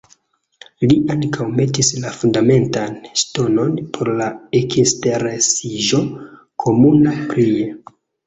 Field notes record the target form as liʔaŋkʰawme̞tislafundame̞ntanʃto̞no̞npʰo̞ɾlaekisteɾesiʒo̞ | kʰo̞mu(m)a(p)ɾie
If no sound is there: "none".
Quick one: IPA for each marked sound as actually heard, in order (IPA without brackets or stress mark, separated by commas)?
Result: n, p